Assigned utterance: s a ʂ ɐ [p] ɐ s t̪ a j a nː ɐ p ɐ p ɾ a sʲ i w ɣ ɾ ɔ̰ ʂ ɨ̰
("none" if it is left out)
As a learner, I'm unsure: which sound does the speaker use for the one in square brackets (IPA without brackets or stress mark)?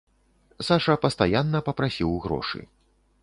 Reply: p